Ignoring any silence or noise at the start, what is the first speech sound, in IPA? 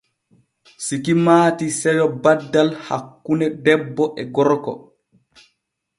s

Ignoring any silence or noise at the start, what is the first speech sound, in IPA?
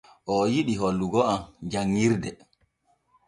ʔ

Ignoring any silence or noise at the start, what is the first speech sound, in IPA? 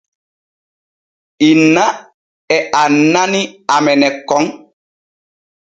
i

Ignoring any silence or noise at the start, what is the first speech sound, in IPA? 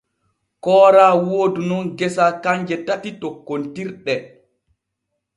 k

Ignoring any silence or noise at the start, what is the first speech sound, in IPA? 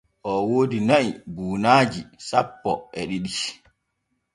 ʔ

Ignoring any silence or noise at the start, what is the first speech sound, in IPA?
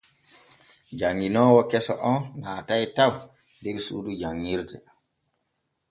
d͡ʒ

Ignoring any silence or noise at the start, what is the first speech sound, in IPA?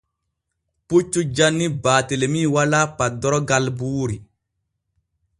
p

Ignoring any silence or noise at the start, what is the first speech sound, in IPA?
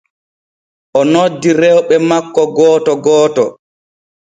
ʔ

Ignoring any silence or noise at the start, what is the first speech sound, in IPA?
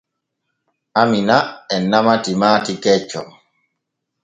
a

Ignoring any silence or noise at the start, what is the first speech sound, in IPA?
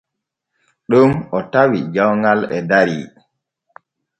ɗ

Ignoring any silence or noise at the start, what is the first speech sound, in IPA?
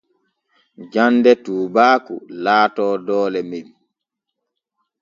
d͡ʒ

